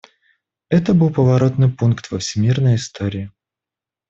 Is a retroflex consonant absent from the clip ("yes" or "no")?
yes